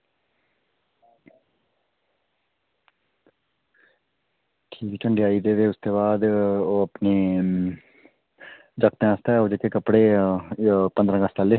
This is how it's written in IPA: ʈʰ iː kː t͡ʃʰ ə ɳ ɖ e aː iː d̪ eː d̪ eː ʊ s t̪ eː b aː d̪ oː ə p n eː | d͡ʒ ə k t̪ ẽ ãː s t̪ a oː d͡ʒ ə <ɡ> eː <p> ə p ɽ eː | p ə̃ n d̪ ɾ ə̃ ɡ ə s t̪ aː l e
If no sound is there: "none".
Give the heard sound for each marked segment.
k, k

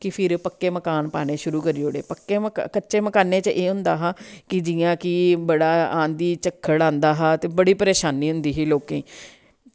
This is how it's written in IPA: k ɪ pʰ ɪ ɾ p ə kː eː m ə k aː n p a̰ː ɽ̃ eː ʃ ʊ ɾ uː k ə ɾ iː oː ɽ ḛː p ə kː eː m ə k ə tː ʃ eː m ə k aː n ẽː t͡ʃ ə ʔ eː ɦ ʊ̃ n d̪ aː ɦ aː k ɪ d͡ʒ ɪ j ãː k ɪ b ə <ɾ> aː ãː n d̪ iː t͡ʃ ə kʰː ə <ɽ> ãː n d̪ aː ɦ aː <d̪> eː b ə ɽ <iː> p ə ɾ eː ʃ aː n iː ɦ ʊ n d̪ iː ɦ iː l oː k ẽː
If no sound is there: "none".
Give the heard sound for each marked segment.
ɽ, ɽ, t̪, iː

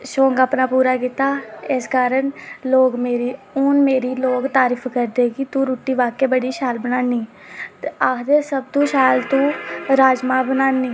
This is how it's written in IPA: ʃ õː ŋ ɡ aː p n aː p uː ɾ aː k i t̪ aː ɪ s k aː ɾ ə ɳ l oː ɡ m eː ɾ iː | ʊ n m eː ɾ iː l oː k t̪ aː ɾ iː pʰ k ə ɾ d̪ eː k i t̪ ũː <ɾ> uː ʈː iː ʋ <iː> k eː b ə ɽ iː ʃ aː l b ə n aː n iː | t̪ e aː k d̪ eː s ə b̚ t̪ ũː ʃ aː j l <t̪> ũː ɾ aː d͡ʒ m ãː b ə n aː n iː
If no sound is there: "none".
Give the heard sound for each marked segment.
ɾ, aː, t̪

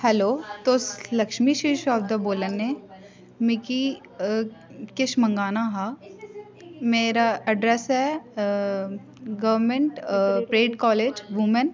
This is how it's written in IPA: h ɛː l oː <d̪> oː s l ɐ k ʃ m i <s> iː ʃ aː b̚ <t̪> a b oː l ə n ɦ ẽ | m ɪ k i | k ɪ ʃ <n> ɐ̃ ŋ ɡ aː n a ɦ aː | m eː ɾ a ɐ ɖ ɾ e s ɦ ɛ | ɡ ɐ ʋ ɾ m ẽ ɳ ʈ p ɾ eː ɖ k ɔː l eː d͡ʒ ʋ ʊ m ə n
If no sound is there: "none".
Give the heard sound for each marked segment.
t̪, ʃ, d̪, m

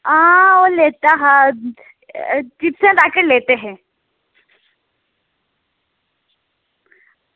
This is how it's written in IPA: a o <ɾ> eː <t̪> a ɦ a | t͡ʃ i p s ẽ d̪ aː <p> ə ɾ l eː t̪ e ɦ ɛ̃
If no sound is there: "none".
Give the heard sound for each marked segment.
l, t̪, k

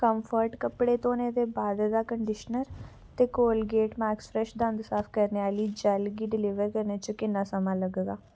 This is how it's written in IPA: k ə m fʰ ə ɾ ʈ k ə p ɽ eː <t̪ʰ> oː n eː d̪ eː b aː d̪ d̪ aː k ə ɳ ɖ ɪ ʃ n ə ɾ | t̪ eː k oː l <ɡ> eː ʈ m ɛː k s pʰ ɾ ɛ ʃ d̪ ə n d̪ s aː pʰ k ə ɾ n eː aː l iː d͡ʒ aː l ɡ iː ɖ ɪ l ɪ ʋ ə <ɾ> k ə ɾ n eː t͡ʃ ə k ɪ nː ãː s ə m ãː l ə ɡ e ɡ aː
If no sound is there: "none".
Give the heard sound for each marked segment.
t̪, ɡ, ɾ

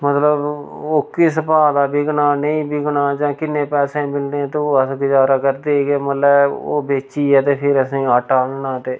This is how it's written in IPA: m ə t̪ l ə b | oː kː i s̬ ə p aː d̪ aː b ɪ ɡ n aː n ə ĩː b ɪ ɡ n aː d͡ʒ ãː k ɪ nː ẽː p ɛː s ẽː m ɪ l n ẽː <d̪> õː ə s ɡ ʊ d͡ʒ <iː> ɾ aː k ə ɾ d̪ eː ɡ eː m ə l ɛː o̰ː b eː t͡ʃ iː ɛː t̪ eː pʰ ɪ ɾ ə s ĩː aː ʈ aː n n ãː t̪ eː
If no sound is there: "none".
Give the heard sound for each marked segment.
t̪, aː

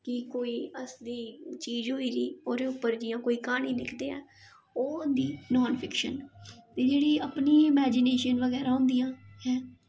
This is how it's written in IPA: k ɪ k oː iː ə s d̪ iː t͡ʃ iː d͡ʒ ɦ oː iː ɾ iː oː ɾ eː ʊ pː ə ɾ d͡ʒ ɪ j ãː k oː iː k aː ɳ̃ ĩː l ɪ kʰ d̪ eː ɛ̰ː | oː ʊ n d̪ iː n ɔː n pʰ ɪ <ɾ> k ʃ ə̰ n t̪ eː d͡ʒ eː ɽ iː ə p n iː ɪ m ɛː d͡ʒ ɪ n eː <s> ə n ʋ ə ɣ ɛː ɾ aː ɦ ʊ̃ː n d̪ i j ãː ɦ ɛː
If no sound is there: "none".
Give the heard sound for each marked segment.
none, ʃ

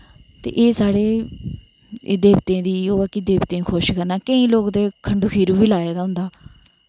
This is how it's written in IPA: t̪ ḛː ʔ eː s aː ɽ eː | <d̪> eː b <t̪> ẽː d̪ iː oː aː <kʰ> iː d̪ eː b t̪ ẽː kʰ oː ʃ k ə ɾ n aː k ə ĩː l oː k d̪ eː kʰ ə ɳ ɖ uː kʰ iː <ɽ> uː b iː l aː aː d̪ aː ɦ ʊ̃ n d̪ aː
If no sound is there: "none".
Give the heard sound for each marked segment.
d̪, t̪, k, ɾ

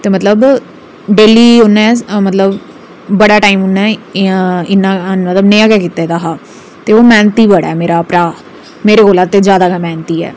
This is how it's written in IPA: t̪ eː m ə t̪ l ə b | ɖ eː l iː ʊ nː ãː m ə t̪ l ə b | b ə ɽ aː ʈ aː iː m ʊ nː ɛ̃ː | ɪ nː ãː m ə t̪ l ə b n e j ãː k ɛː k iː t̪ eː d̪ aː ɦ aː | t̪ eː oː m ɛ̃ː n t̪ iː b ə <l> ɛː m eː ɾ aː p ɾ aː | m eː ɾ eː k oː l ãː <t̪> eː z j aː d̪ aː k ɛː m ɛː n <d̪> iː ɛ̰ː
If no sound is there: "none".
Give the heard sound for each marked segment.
ɽ, t̪, t̪

